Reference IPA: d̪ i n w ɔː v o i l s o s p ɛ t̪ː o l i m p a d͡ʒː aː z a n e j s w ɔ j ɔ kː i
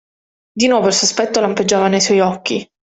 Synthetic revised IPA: d̪ i n w ɔː v o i l s o s p ɛ t̪ː o l a m p e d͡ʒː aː v a n e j s w ɔ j ɔ kː i